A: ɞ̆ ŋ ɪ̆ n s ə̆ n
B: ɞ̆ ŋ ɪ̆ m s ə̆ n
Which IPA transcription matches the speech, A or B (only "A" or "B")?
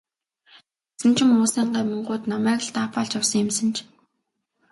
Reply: B